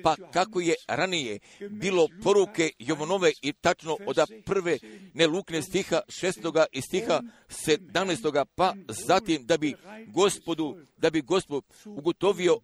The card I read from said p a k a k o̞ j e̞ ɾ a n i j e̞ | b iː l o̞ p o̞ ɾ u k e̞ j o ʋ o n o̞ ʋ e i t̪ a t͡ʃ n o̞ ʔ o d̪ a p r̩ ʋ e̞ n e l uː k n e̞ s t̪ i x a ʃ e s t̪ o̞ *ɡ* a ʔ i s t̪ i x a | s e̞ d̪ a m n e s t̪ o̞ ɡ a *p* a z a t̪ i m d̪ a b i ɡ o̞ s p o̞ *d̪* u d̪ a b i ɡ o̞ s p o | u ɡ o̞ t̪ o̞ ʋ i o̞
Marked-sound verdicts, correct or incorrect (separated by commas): correct, correct, correct